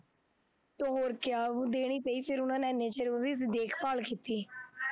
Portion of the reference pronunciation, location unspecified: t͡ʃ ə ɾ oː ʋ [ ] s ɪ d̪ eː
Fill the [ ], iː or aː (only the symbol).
iː